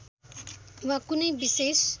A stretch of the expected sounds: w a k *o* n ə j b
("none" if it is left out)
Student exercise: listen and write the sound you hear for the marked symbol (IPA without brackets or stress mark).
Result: u